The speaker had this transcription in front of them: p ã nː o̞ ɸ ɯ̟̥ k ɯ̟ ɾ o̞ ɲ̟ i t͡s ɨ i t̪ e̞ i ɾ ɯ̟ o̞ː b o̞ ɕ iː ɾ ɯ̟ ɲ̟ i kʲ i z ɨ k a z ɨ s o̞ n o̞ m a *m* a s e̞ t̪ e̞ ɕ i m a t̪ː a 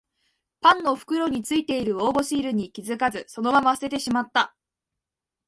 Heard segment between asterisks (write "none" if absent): m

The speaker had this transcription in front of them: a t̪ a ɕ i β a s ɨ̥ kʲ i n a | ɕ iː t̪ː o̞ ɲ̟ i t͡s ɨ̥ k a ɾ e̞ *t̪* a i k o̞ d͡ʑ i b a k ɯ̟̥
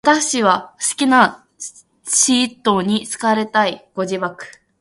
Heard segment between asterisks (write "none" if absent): t̪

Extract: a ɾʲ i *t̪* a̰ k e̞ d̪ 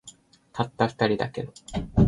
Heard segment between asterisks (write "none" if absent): d̪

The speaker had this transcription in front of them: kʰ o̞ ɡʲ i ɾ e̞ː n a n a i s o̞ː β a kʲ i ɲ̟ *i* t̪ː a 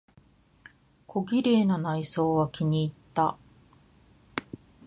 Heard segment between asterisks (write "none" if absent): iː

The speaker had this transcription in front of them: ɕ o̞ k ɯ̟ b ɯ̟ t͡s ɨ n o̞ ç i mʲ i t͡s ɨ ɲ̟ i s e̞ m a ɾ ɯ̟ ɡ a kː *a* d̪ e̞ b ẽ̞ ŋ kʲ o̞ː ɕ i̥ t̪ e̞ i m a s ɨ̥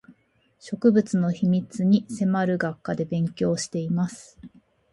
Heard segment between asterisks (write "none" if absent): a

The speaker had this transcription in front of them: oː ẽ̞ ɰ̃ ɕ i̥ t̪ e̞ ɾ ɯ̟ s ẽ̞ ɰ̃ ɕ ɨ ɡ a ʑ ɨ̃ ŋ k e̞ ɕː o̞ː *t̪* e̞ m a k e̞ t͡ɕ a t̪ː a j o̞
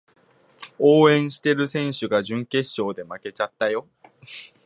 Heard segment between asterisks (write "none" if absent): d̪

